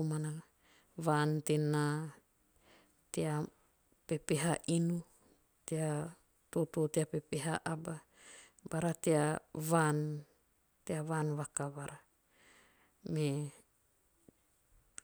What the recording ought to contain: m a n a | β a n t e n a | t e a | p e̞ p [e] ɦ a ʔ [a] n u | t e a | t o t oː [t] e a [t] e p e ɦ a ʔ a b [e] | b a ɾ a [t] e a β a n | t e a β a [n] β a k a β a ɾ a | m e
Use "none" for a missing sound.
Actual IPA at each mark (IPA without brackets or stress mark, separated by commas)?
e, i, t, p, a, t, n